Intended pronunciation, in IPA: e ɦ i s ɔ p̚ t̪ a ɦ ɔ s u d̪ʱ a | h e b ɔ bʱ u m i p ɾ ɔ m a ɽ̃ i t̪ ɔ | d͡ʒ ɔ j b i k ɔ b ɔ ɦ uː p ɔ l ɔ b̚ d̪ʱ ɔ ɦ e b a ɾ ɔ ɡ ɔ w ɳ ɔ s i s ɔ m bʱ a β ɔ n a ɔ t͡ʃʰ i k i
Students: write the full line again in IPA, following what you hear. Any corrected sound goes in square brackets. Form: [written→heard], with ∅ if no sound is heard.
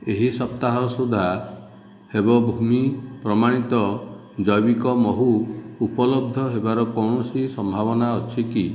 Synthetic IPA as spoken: e ɦ i s ɔ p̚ t̪ a ɦ ɔ s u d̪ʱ a | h e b ɔ bʱ u m i p ɾ ɔ m a ɽ̃ i t̪ ɔ | d͡ʒ ɔ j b i k ɔ [b→m] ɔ ɦ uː p ɔ l ɔ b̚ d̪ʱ ɔ ɦ e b a ɾ ɔ [ɡ→k] ɔ w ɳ ɔ s i s ɔ m bʱ a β ɔ n a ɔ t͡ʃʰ i k i